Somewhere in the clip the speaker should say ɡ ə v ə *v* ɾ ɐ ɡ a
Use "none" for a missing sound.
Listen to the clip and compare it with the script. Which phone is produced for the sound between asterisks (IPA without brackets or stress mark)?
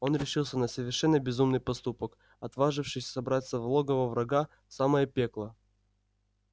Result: v